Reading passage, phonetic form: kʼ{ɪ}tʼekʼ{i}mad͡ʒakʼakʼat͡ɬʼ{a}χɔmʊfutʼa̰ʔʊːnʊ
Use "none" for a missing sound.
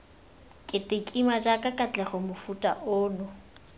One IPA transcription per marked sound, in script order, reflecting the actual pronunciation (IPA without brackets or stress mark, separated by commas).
ɪ, i, ɛ